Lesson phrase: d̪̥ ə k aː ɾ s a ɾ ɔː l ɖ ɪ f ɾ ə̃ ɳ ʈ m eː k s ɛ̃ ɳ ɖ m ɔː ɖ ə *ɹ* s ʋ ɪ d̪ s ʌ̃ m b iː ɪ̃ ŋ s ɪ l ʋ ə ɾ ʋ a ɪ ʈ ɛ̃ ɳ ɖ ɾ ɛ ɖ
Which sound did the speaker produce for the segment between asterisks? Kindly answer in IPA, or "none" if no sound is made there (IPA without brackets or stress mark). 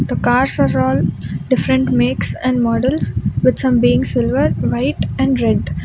l